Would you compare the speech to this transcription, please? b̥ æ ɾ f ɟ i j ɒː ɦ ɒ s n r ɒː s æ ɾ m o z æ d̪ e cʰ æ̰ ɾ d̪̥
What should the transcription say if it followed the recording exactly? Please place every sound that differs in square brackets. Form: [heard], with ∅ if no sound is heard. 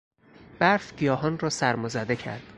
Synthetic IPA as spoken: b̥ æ ɾ f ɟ i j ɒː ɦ ɒ [∅] n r ɒː s æ ɾ m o z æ d̪ e cʰ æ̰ ɾ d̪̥